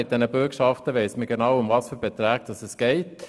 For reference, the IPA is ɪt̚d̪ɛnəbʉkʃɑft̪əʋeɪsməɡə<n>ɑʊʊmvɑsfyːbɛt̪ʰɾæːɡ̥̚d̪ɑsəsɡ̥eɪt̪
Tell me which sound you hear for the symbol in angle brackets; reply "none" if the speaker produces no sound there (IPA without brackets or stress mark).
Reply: n